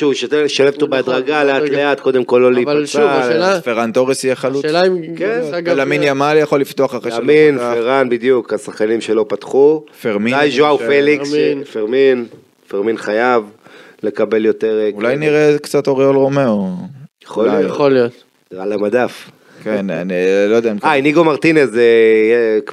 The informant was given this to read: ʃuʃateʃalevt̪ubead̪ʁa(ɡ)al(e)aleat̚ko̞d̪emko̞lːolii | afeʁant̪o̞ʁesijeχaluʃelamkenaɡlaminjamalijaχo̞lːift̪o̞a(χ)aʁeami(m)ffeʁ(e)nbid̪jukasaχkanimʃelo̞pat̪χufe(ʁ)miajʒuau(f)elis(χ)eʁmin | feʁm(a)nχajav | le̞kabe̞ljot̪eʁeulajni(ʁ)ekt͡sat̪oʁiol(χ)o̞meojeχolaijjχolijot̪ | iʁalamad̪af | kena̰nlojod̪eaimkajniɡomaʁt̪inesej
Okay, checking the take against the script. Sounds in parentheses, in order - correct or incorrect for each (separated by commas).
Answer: correct, correct, correct, incorrect, incorrect, correct, correct, incorrect, incorrect, correct, incorrect